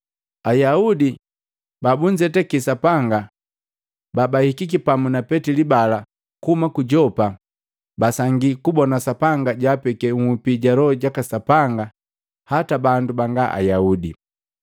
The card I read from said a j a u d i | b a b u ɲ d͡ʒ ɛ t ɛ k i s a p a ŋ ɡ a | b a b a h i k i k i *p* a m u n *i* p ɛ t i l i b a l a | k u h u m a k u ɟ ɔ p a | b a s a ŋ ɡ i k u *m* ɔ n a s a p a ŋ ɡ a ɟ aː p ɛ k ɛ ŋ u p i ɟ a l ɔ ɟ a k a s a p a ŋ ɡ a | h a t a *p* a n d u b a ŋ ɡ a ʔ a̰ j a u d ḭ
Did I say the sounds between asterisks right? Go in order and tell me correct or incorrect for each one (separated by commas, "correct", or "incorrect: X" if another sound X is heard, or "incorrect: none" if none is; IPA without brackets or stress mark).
correct, incorrect: a, incorrect: b, incorrect: b